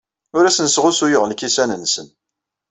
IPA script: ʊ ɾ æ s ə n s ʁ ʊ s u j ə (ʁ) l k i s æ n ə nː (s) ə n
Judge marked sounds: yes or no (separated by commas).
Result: yes, yes